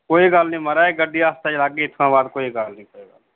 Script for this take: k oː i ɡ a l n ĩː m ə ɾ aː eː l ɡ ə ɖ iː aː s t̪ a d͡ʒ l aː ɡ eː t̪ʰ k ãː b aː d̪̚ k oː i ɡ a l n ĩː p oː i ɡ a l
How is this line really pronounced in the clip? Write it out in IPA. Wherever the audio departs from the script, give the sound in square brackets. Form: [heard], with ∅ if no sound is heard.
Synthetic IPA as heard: k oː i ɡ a l n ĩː m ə ɾ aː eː [∅] ɡ ə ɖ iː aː s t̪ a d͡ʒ l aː ɡ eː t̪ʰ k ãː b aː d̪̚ k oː i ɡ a l n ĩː [k] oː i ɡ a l